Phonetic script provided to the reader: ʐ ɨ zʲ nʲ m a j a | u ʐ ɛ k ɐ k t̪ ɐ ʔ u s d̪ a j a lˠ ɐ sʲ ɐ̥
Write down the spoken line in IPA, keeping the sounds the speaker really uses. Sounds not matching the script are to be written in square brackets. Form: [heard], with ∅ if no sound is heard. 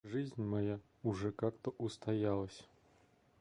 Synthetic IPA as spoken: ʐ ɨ zʲ nʲ m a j a | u ʐ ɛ k [a] k t̪ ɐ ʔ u s [t̪] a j a lˠ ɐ sʲ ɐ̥